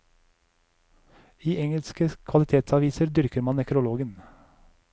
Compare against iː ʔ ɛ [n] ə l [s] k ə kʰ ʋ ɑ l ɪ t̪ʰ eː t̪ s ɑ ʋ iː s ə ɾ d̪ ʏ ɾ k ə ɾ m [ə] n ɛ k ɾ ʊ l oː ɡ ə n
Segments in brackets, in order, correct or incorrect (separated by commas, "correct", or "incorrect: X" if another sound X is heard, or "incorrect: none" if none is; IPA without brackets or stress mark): incorrect: ŋ, correct, incorrect: ɑ